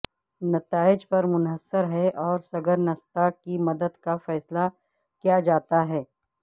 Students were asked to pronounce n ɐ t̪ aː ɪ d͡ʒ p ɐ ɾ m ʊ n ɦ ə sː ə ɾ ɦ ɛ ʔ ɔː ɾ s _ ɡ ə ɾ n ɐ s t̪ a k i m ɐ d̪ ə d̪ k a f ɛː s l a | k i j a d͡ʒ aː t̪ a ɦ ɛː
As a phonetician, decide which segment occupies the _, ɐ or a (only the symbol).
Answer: ɐ